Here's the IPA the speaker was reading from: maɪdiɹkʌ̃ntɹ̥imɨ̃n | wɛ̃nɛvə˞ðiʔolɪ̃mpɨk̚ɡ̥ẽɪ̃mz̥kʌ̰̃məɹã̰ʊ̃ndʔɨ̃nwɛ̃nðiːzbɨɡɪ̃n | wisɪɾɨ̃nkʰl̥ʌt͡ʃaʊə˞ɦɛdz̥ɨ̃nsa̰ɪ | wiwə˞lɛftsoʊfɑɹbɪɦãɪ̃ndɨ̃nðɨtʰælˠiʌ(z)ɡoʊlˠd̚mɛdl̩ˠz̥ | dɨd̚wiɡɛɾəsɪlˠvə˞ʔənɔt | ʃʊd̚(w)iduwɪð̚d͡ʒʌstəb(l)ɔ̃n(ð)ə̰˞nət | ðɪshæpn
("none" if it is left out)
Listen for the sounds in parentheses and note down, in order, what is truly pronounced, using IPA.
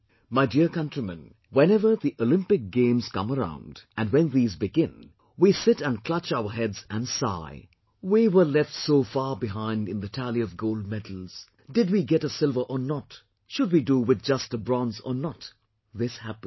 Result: v, w, ɹ, z

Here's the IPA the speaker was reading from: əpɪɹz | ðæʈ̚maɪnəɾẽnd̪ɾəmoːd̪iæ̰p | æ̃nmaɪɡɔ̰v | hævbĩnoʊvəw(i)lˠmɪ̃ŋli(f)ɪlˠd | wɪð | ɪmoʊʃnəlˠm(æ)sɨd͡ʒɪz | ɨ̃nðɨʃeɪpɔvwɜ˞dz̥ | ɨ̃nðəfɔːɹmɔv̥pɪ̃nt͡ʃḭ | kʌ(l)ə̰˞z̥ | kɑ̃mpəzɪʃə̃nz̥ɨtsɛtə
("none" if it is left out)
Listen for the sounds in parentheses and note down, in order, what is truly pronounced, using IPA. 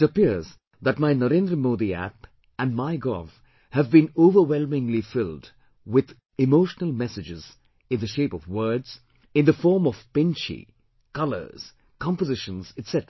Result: ɛ, f, ɛ, l

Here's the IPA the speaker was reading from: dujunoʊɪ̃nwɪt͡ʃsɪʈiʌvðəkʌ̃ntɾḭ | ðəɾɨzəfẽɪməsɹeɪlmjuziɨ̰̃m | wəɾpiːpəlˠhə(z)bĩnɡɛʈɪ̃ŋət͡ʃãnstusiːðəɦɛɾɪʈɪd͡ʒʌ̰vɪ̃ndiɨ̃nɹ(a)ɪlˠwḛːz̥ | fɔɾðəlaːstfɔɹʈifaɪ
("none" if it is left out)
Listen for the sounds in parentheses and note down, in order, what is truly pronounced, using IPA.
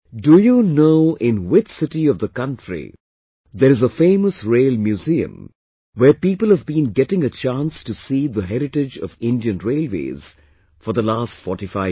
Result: v, e

